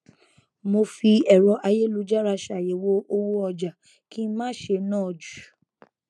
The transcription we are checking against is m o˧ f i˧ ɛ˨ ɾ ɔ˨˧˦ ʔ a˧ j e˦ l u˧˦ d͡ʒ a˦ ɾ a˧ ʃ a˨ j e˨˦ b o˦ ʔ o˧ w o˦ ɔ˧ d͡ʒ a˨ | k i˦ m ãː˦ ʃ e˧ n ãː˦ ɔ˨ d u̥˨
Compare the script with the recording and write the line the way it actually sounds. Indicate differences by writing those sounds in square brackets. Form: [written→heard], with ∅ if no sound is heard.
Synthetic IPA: m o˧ f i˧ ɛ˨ ɾ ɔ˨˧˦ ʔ a˧ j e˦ l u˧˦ d͡ʒ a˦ ɾ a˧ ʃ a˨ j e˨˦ [b→w] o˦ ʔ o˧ w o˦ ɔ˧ d͡ʒ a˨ | k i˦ m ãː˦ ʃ e˧ n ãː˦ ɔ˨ [d→d͡ʒ] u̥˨